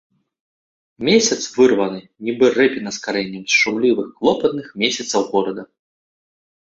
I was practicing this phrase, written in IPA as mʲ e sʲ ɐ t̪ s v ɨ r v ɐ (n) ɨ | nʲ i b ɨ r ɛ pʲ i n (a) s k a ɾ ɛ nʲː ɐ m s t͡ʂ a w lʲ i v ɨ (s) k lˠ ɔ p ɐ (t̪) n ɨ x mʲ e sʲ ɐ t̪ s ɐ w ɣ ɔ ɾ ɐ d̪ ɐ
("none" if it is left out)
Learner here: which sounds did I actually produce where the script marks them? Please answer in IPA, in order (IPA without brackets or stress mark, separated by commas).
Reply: n, ɐ, x, t̪